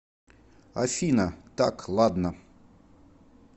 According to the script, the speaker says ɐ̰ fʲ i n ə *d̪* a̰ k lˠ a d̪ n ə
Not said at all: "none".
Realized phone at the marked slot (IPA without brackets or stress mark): t̪